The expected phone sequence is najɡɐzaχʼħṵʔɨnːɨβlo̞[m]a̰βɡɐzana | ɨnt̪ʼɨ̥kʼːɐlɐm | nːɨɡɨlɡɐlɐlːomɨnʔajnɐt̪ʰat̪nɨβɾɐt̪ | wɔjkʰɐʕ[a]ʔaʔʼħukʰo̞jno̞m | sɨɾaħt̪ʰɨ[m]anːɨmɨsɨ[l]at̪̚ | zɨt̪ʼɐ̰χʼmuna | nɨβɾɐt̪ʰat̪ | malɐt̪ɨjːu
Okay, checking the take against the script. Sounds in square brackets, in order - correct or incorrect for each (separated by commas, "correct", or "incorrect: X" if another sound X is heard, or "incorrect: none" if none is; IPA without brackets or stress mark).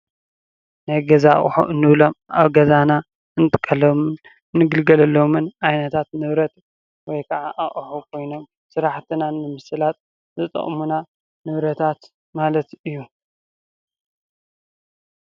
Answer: correct, correct, incorrect: n, correct